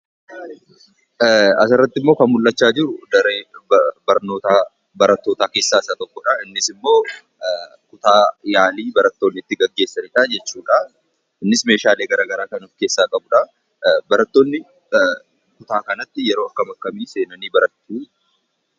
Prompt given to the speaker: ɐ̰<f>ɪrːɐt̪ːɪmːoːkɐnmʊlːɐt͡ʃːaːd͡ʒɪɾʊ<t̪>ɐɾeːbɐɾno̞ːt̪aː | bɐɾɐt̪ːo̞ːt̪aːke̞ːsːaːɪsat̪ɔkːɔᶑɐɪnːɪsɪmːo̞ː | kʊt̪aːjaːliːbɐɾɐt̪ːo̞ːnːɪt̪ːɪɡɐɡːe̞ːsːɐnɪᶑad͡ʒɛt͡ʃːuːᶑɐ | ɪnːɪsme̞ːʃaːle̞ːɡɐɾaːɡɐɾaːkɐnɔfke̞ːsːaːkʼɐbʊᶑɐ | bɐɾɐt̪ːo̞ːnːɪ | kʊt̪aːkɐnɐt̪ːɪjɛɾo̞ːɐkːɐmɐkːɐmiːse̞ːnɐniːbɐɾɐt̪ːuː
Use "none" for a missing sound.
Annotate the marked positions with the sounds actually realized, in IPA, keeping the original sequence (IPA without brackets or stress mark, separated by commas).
s, d̪